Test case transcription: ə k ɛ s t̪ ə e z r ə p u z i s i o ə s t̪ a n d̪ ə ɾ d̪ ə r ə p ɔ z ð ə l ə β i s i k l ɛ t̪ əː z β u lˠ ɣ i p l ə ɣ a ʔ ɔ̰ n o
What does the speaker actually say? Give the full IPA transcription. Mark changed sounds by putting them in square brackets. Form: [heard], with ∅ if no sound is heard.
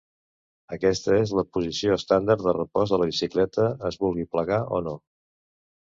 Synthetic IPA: ə k ɛ s t̪ ə e z [l] ə p u z i s i o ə s t̪ a n d̪ ə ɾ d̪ ə r ə p ɔ z ð ə l ə β i s i k l ɛ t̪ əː z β u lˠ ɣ i p l ə ɣ a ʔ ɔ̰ n o

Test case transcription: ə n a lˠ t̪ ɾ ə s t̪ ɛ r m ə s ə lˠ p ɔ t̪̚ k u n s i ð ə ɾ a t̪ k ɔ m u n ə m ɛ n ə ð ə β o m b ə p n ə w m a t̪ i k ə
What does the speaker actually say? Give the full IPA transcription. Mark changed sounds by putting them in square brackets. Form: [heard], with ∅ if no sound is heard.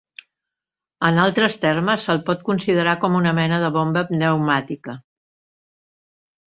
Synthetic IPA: ə n a lˠ t̪ ɾ ə s t̪ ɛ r m ə s ə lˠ p ɔ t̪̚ k u n s i ð ə ɾ a [∅] k ɔ m u n ə m ɛ n ə ð ə β o m b ə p n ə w m a t̪ i k ə

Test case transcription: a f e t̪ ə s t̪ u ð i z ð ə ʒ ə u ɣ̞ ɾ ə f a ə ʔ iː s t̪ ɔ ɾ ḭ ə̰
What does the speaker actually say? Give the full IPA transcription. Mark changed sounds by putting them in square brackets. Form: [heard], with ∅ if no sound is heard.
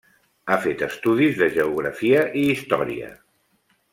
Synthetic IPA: a f e t̪ ə s t̪ u ð i z ð ə ʒ ə u ɣ̞ ɾ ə f [i] ə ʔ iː s t̪ ɔ ɾ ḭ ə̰

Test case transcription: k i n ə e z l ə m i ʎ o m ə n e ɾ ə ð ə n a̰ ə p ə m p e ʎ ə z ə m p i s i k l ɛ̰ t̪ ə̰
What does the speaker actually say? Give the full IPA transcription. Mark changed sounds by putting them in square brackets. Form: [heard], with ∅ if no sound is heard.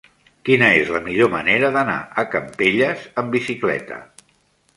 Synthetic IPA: k i n ə e z l ə m i ʎ o m ə n e ɾ ə ð ə n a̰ ə [k] ə m p e ʎ ə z ə m [b] i s i k l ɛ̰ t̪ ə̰

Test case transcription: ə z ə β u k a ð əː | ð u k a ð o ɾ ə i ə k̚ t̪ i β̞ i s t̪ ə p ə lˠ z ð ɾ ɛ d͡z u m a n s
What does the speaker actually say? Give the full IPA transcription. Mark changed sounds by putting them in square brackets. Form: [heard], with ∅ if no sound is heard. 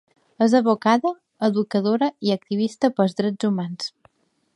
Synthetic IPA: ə z ə β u k a ð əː | ð u k [ə] ð o ɾ ə i ə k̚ t̪ i β̞ i s t̪ ə p ə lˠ z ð ɾ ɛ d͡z u m a n s

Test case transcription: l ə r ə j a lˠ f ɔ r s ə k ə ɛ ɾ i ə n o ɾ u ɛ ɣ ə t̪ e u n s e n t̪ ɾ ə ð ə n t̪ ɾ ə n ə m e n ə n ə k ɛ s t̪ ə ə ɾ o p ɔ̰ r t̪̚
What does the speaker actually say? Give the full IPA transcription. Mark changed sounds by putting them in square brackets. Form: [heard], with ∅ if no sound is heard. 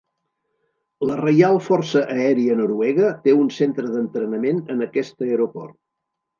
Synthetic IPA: l ə r ə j a lˠ f ɔ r s ə [ʔ] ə ɛ ɾ i ə n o ɾ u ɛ ɣ ə t̪ e u n s e n t̪ ɾ ə ð ə n t̪ ɾ ə n ə m e n ə n ə k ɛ s t̪ ə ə ɾ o p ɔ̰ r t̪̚

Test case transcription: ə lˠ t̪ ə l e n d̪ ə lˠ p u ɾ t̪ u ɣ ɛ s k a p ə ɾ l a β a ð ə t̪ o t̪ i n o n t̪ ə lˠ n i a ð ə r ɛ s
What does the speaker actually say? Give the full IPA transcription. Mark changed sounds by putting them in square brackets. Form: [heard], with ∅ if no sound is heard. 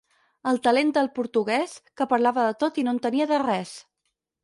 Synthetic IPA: ə lˠ t̪ ə l e n d̪ ə lˠ p u ɾ t̪ u ɣ ɛ s k [ə] p ə ɾ l a β [ə] ð ə t̪ o t̪ i n o n t̪ ə [∅] n i [ə] ð ə r ɛ s

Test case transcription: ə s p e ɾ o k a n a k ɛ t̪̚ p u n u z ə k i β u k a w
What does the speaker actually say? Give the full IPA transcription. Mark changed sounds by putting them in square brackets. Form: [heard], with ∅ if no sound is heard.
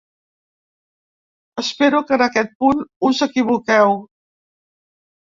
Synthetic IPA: ə s p e ɾ [u] k [ə] n [ə] k ɛ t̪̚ p u n u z ə k i β u k [ɛ] w

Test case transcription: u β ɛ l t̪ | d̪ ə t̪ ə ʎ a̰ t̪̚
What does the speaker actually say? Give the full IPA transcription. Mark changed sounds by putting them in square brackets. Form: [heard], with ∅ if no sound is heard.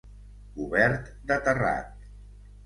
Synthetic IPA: u β ɛ [ɾ] t̪ | d̪ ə t̪ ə [r] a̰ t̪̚

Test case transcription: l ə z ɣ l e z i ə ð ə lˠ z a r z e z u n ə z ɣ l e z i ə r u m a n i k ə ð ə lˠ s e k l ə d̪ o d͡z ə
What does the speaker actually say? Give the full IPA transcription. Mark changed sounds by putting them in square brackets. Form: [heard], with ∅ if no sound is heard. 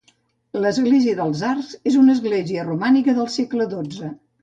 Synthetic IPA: l ə z ɣ l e z i ə ð ə lˠ z a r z e z u n ə z ɣ l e z i ə r u m a n i k ə ð ə lˠ s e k l ə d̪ o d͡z ə

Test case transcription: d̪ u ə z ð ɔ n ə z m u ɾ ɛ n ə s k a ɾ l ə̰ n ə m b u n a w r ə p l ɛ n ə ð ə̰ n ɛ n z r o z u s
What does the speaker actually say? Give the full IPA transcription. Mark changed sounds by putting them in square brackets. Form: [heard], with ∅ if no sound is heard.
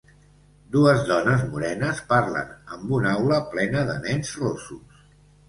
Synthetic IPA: d̪ u ə z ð ɔ n ə z m u ɾ ɛ n ə s [p] a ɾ l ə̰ n ə m b u n a w [l] ə p l ɛ n ə ð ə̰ n ɛ n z r o [s] u s

